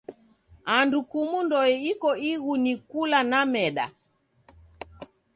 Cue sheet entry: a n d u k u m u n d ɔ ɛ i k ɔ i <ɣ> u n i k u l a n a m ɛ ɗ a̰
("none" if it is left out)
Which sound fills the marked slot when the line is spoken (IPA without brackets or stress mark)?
ɣ